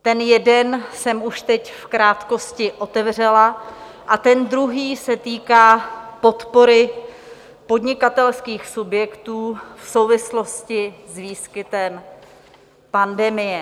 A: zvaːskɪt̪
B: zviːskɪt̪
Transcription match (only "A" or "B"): B